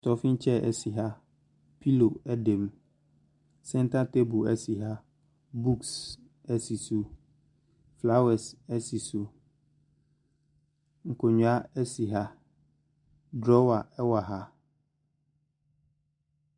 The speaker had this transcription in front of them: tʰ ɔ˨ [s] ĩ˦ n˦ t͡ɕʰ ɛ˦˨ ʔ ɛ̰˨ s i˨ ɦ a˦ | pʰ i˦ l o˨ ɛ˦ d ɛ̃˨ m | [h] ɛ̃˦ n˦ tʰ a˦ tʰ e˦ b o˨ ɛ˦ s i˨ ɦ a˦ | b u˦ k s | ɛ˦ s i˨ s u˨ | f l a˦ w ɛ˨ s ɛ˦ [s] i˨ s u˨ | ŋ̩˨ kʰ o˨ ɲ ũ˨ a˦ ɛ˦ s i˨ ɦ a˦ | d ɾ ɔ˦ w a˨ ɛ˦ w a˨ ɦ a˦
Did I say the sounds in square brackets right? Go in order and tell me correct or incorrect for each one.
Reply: incorrect: f, incorrect: s, correct

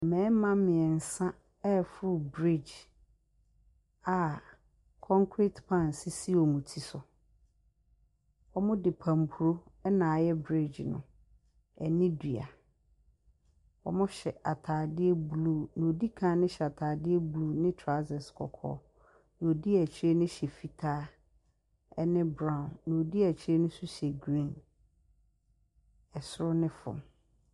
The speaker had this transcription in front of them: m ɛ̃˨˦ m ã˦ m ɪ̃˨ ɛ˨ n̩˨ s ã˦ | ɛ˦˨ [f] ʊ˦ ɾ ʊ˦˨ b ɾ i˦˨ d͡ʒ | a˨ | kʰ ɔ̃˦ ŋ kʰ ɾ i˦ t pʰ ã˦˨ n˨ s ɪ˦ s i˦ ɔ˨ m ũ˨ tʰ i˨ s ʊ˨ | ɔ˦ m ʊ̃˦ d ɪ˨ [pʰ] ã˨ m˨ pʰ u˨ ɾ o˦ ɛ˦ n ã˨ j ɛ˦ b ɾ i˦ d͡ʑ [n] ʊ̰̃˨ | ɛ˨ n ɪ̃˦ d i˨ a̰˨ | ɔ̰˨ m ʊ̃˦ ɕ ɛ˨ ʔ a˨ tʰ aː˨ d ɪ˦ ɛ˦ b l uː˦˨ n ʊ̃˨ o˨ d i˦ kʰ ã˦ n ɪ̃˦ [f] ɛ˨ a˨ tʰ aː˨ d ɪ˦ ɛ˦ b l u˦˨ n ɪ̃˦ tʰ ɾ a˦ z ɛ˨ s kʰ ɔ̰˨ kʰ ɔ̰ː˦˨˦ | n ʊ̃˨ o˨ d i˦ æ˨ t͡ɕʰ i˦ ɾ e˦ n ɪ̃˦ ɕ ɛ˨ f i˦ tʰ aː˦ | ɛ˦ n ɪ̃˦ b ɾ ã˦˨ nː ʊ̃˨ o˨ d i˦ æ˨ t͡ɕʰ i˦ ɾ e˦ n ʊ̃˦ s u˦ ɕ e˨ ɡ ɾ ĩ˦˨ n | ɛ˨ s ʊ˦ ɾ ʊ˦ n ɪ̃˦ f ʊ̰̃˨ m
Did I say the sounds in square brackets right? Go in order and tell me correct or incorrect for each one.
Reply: correct, correct, correct, incorrect: ɕ

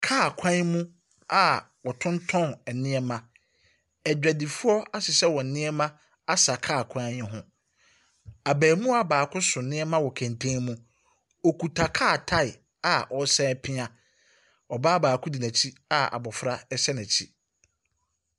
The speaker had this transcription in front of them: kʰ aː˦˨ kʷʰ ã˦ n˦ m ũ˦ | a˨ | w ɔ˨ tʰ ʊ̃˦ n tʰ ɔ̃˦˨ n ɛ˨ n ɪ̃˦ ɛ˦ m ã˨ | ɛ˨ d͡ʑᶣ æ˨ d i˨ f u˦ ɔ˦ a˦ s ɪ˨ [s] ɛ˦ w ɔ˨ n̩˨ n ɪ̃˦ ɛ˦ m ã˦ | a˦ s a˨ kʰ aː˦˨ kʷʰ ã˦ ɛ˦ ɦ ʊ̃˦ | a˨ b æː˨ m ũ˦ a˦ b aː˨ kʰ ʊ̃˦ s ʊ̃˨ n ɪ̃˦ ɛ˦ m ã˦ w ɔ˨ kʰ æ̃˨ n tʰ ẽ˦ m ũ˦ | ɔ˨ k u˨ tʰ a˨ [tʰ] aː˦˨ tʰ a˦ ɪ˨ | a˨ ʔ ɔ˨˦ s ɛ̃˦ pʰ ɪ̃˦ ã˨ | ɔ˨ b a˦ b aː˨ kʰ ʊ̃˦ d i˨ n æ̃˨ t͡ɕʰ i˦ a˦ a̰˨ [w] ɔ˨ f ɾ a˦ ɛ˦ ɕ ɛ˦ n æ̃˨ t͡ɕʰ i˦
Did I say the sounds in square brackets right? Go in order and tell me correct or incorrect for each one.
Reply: correct, incorrect: kʰ, incorrect: b

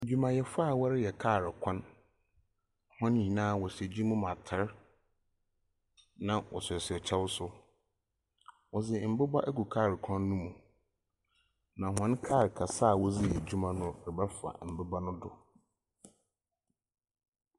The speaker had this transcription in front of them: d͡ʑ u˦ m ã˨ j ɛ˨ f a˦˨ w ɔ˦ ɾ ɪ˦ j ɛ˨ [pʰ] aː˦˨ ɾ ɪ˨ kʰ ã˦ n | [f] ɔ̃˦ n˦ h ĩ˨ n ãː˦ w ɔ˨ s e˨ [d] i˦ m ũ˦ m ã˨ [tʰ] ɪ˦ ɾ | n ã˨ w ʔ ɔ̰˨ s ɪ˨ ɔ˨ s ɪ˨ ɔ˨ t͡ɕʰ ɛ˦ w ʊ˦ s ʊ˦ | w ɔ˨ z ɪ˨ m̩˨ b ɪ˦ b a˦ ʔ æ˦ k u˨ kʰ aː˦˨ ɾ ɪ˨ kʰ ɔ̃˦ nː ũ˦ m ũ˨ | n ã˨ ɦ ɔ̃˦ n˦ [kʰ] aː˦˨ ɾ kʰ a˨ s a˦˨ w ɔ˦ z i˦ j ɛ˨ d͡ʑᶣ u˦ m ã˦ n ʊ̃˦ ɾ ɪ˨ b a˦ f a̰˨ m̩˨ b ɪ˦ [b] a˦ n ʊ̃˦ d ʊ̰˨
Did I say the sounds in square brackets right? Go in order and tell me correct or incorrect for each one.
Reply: incorrect: kʰ, incorrect: h, incorrect: d͡ʑ, correct, correct, correct

